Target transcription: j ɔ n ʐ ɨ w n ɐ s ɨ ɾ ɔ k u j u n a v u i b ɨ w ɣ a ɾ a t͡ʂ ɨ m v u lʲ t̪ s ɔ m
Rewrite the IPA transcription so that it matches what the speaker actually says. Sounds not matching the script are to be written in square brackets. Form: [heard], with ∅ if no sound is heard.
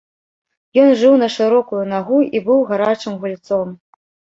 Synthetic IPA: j ɔ n ʐ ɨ w n ɐ [ʂ] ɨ ɾ ɔ k u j u n a [ɣ] u i b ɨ w ɣ a ɾ a t͡ʂ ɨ m [ɣ] u lʲ t̪ s ɔ m